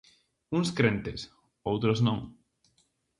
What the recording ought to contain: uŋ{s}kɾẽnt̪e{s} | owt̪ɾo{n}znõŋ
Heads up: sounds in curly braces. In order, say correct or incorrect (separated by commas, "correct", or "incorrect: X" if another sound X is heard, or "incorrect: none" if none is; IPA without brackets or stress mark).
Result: correct, correct, incorrect: none